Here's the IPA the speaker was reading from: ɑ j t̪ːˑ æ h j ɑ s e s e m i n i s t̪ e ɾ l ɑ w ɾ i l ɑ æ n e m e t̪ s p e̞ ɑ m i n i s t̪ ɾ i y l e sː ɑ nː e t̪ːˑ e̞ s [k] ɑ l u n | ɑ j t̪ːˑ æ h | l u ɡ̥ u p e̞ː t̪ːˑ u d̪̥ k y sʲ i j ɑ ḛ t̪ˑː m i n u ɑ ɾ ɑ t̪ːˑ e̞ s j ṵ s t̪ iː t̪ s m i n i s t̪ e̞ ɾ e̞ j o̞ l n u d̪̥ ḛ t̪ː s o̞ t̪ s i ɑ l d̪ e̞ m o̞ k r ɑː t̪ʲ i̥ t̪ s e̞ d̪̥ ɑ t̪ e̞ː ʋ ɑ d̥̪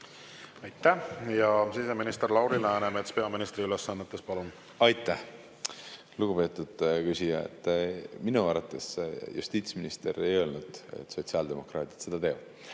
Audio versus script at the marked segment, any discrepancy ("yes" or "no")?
yes